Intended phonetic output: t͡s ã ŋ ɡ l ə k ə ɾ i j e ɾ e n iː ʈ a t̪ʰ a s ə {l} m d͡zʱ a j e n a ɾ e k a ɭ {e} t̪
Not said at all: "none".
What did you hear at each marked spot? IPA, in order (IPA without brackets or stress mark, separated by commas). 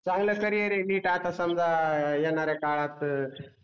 none, a